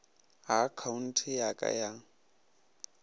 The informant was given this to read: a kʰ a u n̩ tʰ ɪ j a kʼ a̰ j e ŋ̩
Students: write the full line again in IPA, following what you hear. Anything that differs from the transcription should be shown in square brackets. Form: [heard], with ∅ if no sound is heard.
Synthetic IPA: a kʰ a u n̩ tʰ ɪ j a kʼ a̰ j [a] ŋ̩